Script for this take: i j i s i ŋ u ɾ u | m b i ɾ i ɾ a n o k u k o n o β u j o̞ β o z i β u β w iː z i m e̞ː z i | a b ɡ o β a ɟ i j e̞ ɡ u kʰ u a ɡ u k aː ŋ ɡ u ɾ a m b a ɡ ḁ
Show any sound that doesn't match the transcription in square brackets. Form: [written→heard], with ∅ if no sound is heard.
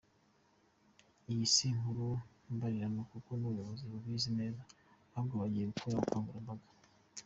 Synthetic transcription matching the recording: i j i s i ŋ u ɾ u | m b [i→a] ɾ i ɾ a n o k u k o n [o→u] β u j o̞ β o z i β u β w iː z i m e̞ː z [i→a] | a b ɡ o β a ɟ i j e̞ ɡ u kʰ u a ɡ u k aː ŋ ɡ u ɾ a m b a ɡ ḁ